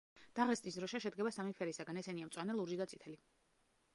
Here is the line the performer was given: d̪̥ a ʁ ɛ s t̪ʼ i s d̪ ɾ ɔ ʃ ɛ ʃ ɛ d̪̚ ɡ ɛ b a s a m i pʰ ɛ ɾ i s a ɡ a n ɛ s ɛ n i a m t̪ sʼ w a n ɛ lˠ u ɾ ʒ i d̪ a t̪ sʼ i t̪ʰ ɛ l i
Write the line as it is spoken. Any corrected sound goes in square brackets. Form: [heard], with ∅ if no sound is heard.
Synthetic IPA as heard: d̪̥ a ʁ ɛ s t̪ʼ i s d̪ ɾ ɔ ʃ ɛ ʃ ɛ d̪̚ ɡ ɛ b a s a m i pʰ ɛ ɾ i s a ɡ a n ɛ s ɛ n i a m t̪ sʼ w a n ɛ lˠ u ɾ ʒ i d̪ a t̪ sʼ i t̪ʰ ɛ l i